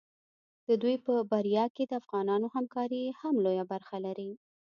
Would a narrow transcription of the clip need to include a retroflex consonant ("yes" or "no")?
no